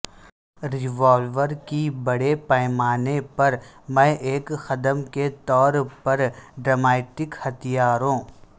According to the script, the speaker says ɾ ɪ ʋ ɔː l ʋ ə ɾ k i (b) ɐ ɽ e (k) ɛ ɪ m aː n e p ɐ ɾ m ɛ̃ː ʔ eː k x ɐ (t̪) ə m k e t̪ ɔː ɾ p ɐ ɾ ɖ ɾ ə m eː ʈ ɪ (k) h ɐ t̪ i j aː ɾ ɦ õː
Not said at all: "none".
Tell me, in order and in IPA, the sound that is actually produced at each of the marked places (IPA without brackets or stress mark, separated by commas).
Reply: b, p, d̪, k